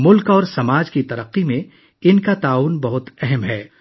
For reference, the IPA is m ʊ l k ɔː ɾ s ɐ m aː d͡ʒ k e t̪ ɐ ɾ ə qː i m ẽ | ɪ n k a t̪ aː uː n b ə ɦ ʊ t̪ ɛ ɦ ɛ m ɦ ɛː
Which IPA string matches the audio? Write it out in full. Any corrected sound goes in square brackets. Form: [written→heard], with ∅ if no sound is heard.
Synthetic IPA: m ʊ l k ɔː ɾ s ɐ m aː d͡ʒ k [e→i] t̪ ɐ ɾ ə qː i m ẽ | ɪ n k a t̪ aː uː n b [ə→ɐ] ɦ ʊ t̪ ɛ ɦ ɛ m ɦ ɛː